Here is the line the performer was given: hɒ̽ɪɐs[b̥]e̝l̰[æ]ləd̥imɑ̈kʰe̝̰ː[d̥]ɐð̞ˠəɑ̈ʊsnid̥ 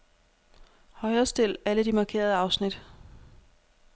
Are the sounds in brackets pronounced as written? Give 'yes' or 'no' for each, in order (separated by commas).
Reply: no, yes, no